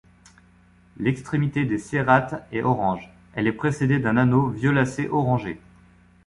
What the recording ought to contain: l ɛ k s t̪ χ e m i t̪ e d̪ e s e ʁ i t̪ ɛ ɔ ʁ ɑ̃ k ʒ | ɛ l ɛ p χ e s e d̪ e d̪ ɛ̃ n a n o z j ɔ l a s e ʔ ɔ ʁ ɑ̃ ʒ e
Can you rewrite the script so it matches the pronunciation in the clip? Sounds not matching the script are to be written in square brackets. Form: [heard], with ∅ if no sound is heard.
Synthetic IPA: l ɛ k s t̪ χ e m i t̪ e d̪ e s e ʁ [a] t̪ ɛ ɔ ʁ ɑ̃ [∅] ʒ | ɛ l ɛ p χ e s e d̪ e d̪ ɛ̃ n a n o [v] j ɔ l a s e ʔ ɔ ʁ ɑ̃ ʒ e